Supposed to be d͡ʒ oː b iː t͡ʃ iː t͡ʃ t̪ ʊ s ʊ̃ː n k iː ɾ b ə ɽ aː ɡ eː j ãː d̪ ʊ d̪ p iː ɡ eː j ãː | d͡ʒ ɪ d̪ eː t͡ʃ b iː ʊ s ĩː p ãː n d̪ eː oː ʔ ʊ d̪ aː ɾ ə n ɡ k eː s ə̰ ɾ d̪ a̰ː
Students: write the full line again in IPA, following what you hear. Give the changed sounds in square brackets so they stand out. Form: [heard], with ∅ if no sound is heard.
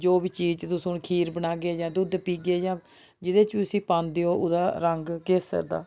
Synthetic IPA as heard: d͡ʒ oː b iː t͡ʃ iː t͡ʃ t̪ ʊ s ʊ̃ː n [kʰ] iː ɾ b ə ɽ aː ɡ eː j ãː d̪ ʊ d̪ p iː ɡ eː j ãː | d͡ʒ ɪ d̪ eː t͡ʃ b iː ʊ s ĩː p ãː n d̪ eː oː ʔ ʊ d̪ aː ɾ ə [ŋ] ɡ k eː s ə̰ ɾ d̪ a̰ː